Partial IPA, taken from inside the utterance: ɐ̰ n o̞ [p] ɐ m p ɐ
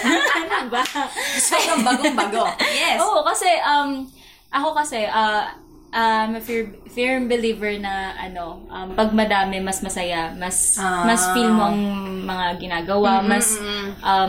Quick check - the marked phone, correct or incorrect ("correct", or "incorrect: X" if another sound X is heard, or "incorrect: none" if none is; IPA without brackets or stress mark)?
incorrect: ʔ